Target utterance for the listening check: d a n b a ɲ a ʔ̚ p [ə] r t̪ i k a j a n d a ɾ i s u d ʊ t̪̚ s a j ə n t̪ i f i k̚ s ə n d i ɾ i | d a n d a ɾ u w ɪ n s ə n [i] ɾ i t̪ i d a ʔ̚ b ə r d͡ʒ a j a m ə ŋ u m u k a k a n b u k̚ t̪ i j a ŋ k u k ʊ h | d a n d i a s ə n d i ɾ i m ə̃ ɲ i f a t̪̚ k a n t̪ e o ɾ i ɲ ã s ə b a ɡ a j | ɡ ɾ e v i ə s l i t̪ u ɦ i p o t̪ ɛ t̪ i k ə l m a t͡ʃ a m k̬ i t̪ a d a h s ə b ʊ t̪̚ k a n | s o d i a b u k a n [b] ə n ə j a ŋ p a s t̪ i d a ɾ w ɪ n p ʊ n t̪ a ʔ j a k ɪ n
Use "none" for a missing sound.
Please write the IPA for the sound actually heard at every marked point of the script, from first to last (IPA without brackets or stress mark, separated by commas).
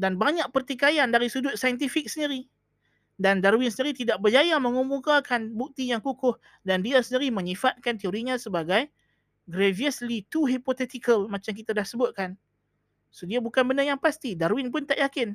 ə, i, b